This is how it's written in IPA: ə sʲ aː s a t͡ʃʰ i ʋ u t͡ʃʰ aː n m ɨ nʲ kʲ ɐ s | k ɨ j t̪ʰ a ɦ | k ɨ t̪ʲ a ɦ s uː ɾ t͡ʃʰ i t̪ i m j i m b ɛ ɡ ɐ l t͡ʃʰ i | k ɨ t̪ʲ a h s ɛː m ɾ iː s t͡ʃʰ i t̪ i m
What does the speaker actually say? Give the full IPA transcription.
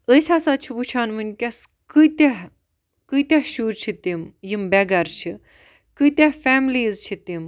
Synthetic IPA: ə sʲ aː s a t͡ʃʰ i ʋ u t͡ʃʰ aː n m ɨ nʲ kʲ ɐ s | k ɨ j t̪ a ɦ | k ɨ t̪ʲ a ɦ ʃ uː ɾ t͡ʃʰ i t̪ i m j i m b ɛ ɡ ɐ ɾ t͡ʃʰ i | k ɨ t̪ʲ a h f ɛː m l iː z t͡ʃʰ i t̪ i m

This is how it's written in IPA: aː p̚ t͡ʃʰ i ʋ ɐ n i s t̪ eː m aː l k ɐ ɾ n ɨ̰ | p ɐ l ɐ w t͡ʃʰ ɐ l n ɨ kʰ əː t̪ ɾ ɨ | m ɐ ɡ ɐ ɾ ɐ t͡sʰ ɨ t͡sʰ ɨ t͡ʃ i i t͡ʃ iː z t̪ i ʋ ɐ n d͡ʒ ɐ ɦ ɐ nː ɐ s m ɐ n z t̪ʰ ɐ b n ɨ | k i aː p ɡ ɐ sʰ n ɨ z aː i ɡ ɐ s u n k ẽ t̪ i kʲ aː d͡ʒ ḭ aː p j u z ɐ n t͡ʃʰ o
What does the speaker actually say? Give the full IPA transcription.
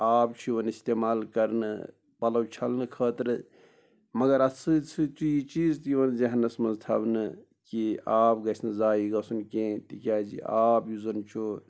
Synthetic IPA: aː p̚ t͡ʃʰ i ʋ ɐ n i s t̪ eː m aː l k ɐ ɾ n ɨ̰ | p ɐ l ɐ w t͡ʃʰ ɐ l n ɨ kʰ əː t̪ ɾ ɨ | m ɐ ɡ ɐ ɾ ɐ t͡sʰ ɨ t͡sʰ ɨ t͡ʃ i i t͡ʃ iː z t̪ i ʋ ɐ n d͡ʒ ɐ ɦ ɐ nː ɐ s m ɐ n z t̪ʰ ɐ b n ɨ | k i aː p ɡ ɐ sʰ n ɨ z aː i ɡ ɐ s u n k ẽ t̪ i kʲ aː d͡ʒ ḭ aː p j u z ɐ n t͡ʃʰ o

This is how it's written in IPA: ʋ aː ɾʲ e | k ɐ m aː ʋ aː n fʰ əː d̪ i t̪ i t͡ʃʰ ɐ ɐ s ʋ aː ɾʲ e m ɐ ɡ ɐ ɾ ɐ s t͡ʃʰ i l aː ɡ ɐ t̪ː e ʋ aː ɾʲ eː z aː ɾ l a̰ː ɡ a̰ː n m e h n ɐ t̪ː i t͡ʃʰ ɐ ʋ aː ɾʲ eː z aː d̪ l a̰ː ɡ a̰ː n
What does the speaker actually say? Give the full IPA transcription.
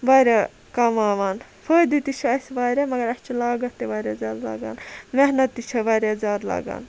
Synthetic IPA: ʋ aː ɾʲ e | k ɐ m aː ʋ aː n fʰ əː d̪ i t̪ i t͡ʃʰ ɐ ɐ s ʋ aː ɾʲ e m ɐ ɡ ɐ ɾ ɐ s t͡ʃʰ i l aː ɡ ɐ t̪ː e ʋ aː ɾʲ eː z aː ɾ l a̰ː ɡ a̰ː n m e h n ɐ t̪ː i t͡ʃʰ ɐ ʋ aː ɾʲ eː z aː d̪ l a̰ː ɡ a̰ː n

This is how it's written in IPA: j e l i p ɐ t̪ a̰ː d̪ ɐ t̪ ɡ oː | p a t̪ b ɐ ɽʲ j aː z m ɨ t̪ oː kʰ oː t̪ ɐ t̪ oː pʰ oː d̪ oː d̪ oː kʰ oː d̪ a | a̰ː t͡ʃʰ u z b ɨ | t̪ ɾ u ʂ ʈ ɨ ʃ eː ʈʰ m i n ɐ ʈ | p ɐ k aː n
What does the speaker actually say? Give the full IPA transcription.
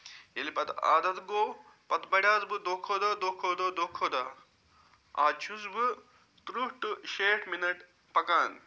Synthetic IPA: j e l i p ɐ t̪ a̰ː d̪ ɐ t̪ ɡ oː | p ɐ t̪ b ɐ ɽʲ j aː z b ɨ d̪ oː kʰ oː d̪ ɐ d̪ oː kʰ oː d̪ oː d̪ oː kʰ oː d̪ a | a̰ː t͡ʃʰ u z b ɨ | t̪ ɾ u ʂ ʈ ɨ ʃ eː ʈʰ m i n ɐ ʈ | p ɐ k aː n

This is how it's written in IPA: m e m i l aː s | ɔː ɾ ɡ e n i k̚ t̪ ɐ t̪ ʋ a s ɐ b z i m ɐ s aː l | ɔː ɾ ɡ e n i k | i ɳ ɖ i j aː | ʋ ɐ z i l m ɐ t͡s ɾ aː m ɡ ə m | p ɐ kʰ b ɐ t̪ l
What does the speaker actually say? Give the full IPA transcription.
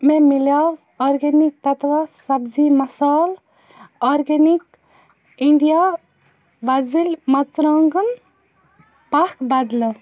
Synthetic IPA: m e m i l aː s | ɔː ɾ ɡ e n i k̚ t̪ ɐ t̪ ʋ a s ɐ b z i m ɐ s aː l | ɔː ɾ ɡ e n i k | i ɳ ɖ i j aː | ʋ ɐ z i l m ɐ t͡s ɾ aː ŋ ɡ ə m | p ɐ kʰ b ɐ d̪ l

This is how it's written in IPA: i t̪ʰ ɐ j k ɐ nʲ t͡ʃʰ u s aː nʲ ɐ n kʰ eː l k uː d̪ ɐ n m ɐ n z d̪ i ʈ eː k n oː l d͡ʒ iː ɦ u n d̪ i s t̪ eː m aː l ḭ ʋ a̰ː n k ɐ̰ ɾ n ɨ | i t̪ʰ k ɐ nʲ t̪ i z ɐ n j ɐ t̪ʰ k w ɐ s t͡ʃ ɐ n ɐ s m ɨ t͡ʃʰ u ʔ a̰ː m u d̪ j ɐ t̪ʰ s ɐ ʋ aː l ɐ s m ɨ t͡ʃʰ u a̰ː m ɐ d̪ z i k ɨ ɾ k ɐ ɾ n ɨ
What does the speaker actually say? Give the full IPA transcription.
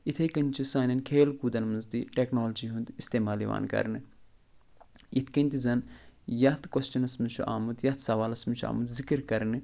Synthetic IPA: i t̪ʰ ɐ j k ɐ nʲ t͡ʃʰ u s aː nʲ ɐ n kʰ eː l k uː d̪ ɐ n m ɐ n z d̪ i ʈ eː k n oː l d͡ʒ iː ɦ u n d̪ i s t̪ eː m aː l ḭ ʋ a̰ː n k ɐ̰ ɾ n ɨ | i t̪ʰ k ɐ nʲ t̪ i z ɐ n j ɐ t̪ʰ k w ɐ s t͡ʃ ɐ n ɐ s m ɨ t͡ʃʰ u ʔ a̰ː m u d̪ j ɐ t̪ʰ s ɐ ʋ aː l ɐ s m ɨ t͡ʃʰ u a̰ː m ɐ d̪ z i k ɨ ɾ k ɐ ɾ n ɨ

